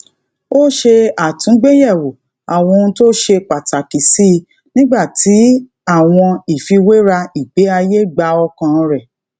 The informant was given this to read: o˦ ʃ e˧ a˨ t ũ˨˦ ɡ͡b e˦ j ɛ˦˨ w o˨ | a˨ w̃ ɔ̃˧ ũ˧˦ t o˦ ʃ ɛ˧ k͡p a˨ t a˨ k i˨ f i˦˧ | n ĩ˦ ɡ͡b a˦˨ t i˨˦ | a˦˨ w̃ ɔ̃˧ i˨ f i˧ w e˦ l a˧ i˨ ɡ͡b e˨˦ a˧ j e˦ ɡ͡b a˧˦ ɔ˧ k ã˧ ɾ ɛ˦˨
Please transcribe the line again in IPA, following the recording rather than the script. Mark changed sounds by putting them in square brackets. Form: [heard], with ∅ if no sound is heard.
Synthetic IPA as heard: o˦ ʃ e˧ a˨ t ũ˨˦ ɡ͡b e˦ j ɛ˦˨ w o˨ | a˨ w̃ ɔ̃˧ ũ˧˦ t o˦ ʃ [e˧] k͡p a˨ t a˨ k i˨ [s] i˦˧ | n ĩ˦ ɡ͡b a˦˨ t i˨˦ | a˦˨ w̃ ɔ̃˧ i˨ f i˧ w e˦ [ɾ] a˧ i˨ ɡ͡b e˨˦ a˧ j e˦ ɡ͡b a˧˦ ɔ˧ k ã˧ ɾ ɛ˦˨

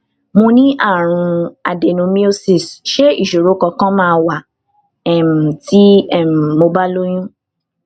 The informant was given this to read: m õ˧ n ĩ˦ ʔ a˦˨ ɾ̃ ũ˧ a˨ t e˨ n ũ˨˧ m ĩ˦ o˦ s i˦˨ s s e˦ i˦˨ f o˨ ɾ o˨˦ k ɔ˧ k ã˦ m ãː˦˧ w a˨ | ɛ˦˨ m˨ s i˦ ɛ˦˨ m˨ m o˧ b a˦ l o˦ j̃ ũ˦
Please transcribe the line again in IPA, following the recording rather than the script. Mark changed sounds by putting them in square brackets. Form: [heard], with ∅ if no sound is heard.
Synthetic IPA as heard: m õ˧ n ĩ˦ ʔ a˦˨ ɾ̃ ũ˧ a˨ [d] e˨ n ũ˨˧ m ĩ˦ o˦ s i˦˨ s [ʃ] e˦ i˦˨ [ʃ] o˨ ɾ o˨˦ k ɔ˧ k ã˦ m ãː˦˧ w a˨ | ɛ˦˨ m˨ [t] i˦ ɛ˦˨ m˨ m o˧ b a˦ l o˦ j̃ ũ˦

